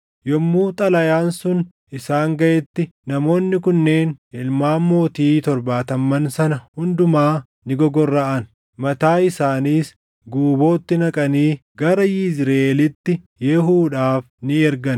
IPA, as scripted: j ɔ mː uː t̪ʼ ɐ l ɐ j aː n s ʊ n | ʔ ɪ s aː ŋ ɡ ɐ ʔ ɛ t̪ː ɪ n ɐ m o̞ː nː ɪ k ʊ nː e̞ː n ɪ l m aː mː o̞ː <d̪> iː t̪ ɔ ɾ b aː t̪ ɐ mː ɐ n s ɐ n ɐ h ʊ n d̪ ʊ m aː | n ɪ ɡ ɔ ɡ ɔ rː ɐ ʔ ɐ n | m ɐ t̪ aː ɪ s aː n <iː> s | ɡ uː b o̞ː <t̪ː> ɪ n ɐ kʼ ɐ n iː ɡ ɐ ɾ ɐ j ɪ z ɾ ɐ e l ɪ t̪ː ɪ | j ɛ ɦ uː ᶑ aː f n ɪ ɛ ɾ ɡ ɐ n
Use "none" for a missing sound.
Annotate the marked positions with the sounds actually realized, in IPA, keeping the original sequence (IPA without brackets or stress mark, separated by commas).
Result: t̪, iː, t̪ː